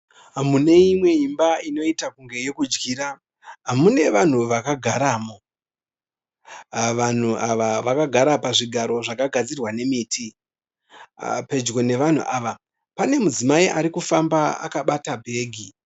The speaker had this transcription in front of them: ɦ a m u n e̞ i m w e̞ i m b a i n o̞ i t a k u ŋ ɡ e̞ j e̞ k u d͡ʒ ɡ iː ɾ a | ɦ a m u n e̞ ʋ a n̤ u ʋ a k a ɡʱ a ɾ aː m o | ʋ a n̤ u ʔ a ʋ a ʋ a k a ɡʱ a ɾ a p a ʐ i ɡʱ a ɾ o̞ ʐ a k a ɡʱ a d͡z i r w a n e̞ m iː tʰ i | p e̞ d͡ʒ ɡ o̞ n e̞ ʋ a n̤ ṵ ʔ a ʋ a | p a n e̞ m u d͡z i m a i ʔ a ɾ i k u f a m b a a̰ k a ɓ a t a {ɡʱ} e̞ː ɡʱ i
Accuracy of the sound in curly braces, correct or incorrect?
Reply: incorrect